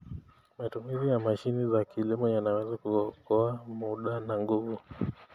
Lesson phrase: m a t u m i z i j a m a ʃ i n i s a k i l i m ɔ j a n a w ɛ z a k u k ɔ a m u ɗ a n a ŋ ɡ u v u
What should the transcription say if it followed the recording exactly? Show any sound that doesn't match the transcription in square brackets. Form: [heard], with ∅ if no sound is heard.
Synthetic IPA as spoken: m a t u m i z i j a m a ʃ i n i [z] a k i l i m ɔ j a n a w ɛ z a k u k ɔ a m u ɗ a n a ŋ ɡ u v u

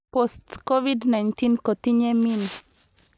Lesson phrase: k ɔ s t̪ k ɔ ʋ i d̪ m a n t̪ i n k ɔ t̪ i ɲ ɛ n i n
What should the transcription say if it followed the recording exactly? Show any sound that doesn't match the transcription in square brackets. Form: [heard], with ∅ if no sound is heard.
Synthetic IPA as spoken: [p] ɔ s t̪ k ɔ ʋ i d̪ [n] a n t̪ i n k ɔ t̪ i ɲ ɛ [m] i n

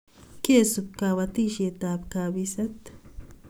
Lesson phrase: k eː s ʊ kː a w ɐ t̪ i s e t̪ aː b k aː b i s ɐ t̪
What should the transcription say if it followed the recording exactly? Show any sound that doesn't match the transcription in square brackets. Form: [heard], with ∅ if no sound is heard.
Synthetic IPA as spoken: k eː s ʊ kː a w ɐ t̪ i [ʃ] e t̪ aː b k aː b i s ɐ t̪

